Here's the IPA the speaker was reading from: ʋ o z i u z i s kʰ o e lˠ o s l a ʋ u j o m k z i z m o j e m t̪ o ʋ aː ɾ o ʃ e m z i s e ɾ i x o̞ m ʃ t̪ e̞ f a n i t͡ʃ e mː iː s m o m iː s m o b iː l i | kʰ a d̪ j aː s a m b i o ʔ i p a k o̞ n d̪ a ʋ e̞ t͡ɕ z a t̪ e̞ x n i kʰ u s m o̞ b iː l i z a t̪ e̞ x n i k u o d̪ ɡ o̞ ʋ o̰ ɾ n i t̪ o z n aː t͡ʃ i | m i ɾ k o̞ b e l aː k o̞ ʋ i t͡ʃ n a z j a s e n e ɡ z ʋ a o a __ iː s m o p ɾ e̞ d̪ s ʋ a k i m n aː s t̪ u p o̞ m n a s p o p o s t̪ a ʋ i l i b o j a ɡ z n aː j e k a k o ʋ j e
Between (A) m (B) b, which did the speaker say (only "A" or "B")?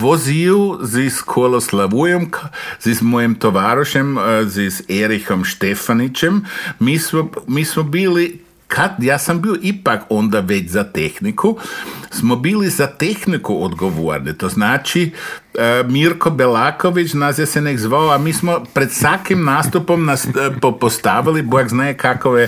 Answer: A